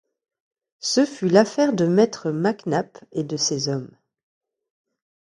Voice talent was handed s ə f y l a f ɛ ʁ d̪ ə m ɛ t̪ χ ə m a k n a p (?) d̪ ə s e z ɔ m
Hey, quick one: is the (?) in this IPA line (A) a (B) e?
B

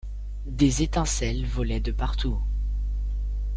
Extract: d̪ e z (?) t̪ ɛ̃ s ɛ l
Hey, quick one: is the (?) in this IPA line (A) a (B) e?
B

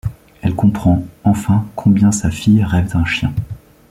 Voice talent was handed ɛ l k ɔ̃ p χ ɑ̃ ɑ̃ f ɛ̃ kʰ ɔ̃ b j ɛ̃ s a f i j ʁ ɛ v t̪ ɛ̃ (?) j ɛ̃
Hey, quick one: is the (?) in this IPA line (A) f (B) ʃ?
B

